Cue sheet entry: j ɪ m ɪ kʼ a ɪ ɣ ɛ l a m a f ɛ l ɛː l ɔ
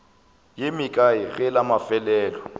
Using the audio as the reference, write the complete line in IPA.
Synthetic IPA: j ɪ m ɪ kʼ a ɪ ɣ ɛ l a m a f ɛ l ɛː l ɔ